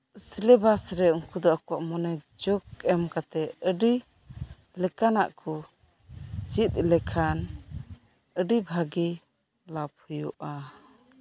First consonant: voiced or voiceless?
voiceless